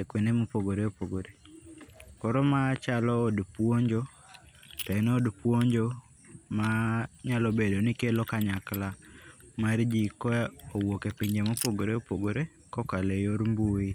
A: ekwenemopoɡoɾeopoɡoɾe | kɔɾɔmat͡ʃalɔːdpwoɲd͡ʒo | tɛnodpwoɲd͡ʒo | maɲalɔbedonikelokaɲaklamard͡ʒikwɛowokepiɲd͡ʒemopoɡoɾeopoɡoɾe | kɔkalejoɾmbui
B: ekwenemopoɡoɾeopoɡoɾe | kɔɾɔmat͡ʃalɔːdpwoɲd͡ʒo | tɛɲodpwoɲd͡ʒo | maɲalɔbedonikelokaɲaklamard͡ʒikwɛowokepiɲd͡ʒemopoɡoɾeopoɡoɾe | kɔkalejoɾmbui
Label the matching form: A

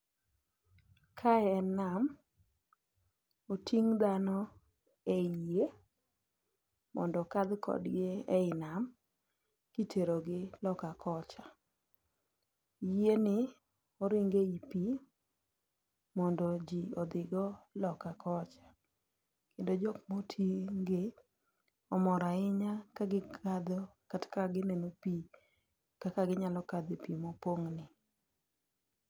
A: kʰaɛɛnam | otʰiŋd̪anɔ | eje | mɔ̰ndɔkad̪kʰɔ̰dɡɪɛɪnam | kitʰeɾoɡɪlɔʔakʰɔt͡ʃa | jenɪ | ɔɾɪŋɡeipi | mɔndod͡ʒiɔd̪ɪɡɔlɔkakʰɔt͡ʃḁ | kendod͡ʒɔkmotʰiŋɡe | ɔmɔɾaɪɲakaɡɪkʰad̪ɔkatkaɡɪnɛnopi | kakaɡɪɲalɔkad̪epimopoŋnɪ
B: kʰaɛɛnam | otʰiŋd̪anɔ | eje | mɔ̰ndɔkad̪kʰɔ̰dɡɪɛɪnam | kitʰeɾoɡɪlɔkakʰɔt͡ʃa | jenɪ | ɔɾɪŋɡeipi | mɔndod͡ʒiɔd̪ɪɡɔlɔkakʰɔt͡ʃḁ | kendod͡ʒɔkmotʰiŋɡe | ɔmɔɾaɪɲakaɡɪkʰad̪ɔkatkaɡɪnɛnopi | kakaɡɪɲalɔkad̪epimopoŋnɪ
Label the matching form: B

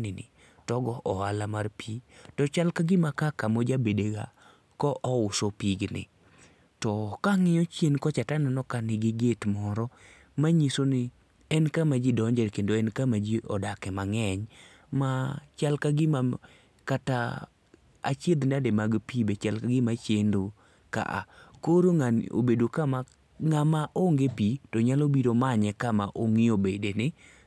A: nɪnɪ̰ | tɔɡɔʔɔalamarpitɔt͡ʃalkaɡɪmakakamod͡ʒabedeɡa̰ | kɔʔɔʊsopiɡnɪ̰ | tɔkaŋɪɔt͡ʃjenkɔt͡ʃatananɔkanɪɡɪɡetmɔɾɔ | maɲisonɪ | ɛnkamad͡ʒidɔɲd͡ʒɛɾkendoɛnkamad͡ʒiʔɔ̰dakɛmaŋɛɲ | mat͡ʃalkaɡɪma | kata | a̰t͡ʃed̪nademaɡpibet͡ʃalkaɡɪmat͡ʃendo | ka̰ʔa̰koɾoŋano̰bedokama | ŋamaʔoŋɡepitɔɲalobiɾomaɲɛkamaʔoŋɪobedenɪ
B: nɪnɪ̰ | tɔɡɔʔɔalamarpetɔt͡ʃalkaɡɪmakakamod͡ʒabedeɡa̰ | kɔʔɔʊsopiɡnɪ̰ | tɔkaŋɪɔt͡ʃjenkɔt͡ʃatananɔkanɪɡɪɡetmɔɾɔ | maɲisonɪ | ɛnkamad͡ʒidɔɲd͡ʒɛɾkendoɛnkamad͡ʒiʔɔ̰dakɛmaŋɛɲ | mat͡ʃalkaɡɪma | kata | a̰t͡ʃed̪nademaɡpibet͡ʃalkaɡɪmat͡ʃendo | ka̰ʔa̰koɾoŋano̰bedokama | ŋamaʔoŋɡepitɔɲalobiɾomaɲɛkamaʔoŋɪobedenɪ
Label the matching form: A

